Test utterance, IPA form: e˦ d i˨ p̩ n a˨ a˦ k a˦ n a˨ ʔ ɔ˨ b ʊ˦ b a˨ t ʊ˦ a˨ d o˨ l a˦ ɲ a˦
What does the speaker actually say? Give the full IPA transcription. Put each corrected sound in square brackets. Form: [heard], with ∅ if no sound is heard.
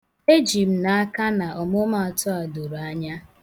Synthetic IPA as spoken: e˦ [d͡ʒ] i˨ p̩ n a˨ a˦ k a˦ n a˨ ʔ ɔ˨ [m] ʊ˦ [m] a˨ t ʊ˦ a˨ d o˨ [ɾ] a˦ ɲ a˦